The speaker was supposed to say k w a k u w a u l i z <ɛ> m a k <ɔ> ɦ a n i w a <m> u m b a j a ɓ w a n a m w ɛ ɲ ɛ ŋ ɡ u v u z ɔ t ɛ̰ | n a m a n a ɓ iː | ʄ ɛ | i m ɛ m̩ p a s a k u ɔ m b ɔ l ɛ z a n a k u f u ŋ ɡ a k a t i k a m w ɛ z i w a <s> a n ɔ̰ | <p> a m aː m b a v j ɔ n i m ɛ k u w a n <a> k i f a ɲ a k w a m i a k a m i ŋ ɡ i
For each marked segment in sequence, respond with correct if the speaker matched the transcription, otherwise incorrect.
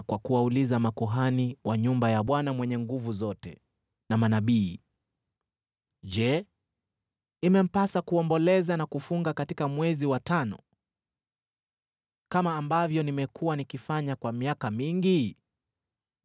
incorrect: a, incorrect: u, incorrect: ɲ, incorrect: t, incorrect: k, incorrect: i

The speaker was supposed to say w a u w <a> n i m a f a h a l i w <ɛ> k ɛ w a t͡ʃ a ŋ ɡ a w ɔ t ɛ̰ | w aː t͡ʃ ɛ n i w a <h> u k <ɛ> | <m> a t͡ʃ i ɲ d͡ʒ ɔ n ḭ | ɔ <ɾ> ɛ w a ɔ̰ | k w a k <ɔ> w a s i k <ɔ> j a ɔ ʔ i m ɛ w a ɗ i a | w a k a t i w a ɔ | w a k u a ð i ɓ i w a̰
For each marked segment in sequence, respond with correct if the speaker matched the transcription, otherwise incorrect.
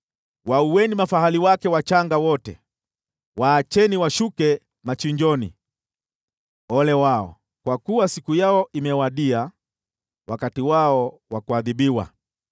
incorrect: ɛ, incorrect: a, incorrect: ʃ, correct, correct, incorrect: l, incorrect: u, incorrect: u

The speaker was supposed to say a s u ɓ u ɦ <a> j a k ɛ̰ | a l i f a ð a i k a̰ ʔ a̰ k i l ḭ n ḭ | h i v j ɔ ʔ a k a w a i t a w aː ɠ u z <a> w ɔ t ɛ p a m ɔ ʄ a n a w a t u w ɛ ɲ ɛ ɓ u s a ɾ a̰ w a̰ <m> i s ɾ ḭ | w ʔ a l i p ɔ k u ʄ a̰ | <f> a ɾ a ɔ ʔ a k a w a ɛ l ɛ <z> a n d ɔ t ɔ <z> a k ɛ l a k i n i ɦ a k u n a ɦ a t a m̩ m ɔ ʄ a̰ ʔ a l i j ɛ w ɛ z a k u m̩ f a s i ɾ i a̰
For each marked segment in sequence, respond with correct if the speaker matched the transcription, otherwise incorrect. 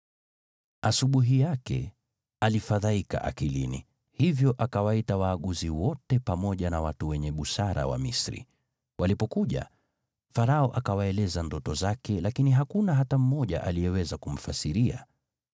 incorrect: i, incorrect: i, correct, correct, correct, correct

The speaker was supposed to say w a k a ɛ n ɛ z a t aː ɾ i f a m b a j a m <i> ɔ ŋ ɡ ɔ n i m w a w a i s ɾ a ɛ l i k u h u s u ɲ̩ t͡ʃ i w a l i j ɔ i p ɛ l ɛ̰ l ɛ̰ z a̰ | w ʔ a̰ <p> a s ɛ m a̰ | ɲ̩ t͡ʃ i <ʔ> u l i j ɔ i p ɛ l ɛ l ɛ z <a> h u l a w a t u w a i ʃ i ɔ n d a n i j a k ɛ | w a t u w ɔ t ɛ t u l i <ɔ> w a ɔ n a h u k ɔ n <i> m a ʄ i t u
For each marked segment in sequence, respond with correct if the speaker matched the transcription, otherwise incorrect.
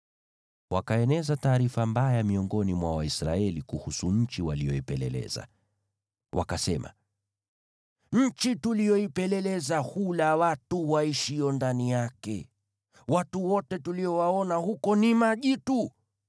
correct, incorrect: k, incorrect: t, correct, correct, correct

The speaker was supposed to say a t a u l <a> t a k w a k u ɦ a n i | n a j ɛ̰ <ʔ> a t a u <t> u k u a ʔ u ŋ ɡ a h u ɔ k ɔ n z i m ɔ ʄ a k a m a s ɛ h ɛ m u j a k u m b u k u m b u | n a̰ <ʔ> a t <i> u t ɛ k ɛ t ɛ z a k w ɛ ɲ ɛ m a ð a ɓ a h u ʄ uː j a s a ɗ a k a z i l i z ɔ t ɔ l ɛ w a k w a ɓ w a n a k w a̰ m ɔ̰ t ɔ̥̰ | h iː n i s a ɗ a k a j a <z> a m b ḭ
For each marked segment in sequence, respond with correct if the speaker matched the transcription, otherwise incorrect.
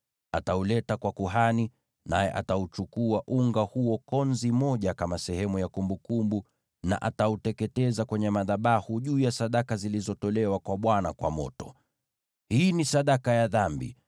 incorrect: ɛ, correct, incorrect: t͡ʃ, correct, incorrect: a, incorrect: ð

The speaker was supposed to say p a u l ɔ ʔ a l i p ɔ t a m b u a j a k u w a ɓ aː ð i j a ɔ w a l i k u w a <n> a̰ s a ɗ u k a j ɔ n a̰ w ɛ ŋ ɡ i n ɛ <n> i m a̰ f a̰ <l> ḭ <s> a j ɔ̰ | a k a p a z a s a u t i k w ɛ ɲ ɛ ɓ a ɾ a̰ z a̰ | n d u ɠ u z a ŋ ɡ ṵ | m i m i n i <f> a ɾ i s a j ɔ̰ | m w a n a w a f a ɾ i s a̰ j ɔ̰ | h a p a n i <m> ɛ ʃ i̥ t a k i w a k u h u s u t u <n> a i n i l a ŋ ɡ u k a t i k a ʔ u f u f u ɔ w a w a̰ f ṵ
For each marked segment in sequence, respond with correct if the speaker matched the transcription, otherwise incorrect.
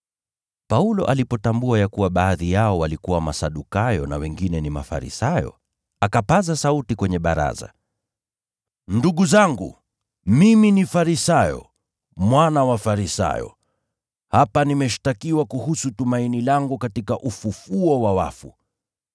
incorrect: m, correct, incorrect: ɾ, correct, correct, correct, incorrect: m

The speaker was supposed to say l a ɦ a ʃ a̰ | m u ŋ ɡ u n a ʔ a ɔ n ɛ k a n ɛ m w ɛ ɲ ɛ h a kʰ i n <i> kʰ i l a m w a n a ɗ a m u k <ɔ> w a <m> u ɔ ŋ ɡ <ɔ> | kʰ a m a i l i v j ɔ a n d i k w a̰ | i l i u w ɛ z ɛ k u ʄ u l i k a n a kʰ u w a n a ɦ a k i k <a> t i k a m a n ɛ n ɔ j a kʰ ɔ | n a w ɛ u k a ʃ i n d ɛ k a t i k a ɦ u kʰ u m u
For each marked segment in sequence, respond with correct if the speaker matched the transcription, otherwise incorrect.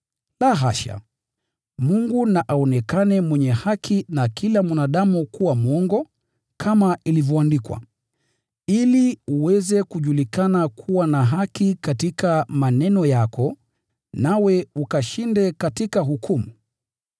incorrect: a, incorrect: u, correct, correct, correct

